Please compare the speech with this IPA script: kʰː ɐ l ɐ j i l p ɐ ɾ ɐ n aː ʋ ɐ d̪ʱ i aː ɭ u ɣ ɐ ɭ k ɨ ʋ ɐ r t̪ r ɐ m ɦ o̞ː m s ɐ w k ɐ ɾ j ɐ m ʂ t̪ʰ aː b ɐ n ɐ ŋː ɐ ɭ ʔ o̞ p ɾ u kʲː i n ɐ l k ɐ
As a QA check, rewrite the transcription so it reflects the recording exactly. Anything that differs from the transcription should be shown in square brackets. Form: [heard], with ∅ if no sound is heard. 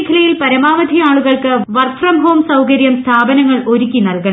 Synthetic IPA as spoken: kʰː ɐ l ɐ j i l p ɐ ɾ ɐ [m] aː ʋ ɐ d̪ʱ i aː ɭ u ɣ ɐ ɭ k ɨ ʋ ɐ r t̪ r ɐ m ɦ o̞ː m s ɐ w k ɐ ɾ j ɐ m [s] t̪ʰ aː b ɐ n ɐ ŋː ɐ ɭ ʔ o̞ [∅] ɾ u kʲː i n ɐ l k ɐ